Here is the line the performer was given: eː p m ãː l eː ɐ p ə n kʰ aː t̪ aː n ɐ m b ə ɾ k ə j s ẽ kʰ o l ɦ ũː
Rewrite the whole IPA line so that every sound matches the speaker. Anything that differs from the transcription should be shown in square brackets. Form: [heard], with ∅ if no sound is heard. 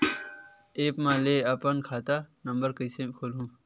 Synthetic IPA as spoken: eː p m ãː l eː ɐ p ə n kʰ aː t̪ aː n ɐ m b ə ɾ k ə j s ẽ kʰ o l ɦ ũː